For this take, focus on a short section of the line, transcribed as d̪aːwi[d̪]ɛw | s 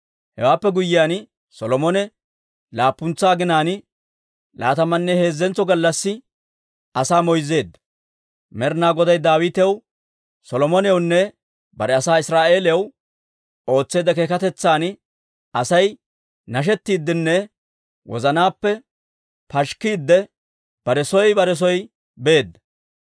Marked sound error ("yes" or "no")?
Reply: yes